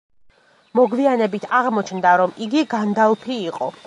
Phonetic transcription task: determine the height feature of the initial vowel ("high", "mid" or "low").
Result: mid